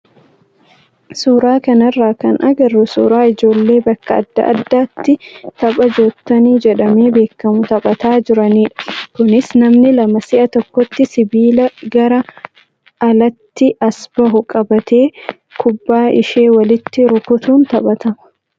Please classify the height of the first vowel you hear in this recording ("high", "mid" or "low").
high